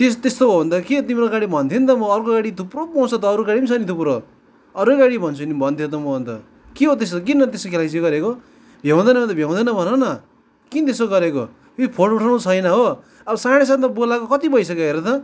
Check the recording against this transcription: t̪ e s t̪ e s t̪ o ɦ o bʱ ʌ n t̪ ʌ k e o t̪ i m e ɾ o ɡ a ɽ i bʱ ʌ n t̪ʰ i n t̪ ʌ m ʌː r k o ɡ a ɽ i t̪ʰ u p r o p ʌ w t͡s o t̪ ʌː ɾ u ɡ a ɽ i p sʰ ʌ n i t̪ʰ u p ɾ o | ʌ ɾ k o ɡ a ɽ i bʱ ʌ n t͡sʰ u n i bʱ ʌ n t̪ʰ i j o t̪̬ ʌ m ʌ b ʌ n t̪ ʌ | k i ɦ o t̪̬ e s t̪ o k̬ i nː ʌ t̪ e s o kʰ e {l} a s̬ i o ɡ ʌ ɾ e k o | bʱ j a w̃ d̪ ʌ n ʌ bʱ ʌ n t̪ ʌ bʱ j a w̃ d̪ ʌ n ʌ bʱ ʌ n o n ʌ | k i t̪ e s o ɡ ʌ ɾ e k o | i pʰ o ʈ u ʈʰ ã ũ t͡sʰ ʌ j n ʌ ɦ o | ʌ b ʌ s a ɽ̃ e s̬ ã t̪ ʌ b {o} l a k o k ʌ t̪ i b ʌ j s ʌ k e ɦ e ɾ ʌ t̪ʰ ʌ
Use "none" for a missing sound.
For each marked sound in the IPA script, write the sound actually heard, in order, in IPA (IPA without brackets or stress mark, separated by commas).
l, o